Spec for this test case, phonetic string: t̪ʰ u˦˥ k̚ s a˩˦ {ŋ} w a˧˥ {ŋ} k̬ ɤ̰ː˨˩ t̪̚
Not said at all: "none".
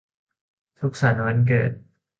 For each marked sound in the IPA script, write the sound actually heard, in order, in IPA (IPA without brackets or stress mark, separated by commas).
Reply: n, n